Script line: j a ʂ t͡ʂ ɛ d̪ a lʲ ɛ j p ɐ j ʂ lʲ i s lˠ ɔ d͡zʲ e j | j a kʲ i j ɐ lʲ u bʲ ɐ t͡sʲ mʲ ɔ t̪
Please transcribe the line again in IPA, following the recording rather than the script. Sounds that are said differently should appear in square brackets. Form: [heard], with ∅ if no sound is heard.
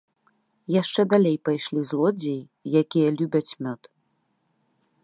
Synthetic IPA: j a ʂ t͡ʂ ɛ d̪ a lʲ [e] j p [a] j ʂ lʲ i [z] lˠ ɔ d͡zʲ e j | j a kʲ i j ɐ lʲ u bʲ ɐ t͡sʲ mʲ ɔ t̪